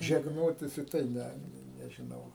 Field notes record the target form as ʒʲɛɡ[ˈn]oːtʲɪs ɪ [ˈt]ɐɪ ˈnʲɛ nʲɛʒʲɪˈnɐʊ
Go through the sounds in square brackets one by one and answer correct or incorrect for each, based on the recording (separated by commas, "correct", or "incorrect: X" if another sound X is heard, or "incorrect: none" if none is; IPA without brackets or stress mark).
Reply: correct, correct